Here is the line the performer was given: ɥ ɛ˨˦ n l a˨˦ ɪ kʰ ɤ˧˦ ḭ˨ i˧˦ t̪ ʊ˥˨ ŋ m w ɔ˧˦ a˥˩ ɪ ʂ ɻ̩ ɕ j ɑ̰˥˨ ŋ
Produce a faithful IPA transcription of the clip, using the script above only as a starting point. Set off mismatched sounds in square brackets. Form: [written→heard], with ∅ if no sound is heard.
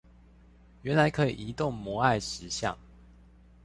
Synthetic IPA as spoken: ɥ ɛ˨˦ n l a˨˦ ɪ kʰ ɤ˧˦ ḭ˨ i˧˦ t̪ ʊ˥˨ ŋ m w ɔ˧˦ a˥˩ ɪ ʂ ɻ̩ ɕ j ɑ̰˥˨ ŋ